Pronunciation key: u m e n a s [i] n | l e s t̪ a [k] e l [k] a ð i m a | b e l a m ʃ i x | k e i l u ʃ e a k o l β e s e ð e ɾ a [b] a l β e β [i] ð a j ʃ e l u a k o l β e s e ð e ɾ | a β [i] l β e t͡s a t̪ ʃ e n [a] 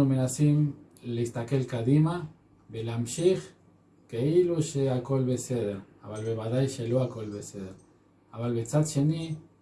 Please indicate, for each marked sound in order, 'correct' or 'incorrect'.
correct, correct, correct, incorrect: β, incorrect: a, incorrect: a, incorrect: i

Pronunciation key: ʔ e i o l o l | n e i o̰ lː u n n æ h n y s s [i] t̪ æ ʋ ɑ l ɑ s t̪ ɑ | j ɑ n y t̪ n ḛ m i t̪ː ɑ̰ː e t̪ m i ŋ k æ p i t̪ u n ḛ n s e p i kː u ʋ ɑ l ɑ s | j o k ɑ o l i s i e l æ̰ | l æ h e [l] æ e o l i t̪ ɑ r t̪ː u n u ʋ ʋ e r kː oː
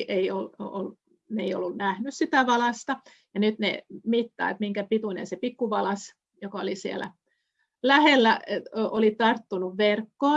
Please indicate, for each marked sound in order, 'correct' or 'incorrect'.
correct, incorrect: lː

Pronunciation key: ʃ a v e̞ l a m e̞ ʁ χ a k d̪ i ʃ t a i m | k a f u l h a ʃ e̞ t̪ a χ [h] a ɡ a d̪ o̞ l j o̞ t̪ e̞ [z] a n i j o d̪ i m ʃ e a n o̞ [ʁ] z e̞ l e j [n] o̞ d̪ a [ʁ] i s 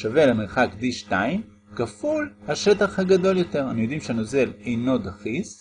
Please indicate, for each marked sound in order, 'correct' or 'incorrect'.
correct, incorrect: ʁ, incorrect: none, correct, incorrect: χ

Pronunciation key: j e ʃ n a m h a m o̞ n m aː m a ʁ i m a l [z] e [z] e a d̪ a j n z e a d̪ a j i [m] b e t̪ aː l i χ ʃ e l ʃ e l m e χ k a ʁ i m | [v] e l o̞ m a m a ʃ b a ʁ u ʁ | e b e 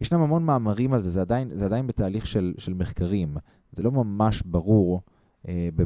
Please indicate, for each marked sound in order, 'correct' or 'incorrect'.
correct, correct, incorrect: n, incorrect: z

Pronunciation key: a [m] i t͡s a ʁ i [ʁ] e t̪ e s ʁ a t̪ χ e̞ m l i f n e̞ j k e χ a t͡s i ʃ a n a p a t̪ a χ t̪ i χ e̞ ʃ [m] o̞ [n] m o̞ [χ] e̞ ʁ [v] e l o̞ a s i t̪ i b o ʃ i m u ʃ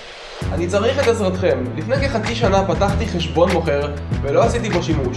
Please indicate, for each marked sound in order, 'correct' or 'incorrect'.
incorrect: n, incorrect: χ, incorrect: b, correct, correct, correct

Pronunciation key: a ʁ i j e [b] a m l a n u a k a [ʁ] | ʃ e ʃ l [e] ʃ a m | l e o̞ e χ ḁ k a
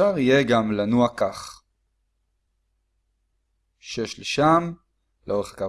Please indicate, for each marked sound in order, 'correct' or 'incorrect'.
incorrect: ɡ, incorrect: χ, correct

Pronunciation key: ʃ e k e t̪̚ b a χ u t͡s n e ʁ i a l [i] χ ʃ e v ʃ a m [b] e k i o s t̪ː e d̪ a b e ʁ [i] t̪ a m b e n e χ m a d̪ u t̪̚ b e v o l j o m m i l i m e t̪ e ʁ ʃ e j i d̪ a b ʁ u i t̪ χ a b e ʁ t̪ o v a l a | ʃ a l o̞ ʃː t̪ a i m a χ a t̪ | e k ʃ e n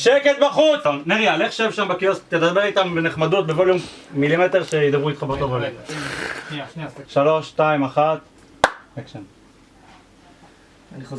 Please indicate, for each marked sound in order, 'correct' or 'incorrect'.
incorrect: e, correct, correct

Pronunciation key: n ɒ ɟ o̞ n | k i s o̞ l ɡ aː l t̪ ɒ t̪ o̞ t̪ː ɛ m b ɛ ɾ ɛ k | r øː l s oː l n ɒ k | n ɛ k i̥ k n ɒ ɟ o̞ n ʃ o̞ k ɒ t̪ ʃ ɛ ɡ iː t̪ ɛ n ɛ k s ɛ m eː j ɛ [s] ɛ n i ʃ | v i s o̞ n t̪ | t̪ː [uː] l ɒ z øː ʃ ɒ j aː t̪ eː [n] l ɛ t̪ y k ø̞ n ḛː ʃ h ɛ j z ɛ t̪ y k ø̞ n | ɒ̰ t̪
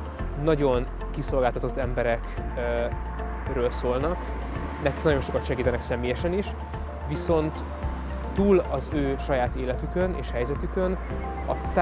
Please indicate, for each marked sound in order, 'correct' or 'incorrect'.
incorrect: ʃ, correct, incorrect: none

